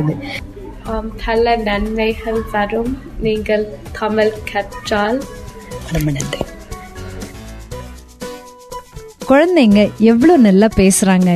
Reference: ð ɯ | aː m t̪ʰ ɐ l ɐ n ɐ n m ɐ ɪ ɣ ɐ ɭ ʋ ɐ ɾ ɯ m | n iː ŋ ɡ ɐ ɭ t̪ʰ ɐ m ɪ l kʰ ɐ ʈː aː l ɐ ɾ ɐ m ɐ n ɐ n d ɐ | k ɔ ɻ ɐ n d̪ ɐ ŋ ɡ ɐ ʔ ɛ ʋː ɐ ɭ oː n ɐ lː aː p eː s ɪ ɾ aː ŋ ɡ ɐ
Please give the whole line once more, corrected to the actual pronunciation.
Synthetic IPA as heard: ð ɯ | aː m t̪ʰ ɐ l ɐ n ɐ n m ɐ ɪ ɣ ɐ ɭ ʋ ɐ ɾ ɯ m | n iː ŋ ɡ ɐ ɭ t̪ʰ ɐ m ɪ l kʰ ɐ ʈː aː l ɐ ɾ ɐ m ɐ n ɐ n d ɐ | k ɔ ɻ ɐ n d̪ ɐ ŋ ɡ ɐ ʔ ɛ ʋː ɐ ɭ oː n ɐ lː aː p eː s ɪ ɾ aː ŋ ɡ ɐ